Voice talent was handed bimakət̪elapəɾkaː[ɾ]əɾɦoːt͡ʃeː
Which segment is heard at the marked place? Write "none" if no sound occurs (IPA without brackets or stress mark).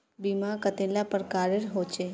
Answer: ɾ